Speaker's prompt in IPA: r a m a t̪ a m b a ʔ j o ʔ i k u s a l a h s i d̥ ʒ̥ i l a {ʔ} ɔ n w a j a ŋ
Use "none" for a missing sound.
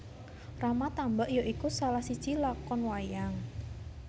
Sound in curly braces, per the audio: k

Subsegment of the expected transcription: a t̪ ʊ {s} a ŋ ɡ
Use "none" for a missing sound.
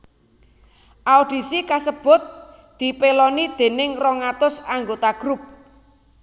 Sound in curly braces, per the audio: s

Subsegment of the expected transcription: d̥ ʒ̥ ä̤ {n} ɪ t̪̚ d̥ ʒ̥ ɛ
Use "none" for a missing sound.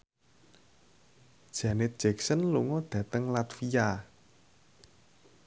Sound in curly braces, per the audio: n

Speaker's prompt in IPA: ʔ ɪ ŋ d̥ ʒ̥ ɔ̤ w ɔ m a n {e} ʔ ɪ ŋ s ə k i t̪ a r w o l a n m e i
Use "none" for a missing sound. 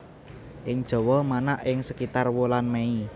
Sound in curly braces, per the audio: a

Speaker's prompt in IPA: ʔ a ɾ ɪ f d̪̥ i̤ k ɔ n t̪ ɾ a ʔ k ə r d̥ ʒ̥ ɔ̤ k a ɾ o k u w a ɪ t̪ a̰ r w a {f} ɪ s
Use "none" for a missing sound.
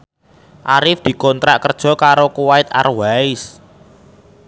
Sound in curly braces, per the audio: none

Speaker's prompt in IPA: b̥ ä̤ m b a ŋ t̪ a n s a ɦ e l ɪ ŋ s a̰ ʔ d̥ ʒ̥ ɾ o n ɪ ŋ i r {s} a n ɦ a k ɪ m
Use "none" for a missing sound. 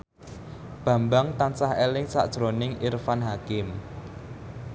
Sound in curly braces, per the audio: f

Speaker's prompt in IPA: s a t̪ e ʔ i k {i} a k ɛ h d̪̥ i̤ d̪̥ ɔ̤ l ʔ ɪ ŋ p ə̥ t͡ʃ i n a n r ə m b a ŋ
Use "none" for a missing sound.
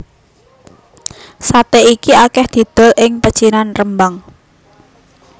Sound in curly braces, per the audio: i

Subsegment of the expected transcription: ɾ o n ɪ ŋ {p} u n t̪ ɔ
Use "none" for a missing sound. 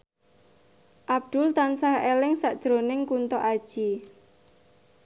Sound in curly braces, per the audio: k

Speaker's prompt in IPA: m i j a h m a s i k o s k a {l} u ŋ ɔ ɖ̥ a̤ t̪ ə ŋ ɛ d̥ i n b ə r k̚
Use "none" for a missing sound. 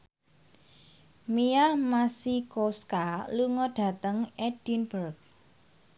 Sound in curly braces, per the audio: l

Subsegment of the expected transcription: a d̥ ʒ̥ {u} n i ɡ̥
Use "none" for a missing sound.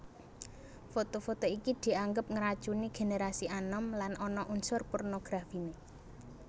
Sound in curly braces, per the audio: u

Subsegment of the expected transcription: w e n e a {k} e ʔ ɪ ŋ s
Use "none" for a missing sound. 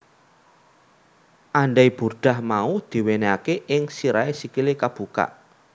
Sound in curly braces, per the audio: k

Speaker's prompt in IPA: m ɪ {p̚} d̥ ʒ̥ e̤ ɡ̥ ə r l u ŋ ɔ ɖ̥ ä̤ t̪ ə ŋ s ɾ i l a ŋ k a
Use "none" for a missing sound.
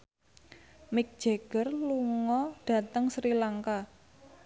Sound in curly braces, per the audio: k̚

